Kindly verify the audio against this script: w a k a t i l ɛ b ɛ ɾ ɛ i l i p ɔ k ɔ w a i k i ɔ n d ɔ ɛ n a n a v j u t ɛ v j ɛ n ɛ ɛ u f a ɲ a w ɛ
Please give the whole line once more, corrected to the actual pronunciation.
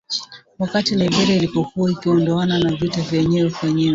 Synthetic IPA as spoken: w a k a t i l ɛ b ɛ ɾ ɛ i l i p ɔ k u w a i k i ɔ n d ɔ a n a n a v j u t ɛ v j ɛ ɲ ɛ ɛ u f a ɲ i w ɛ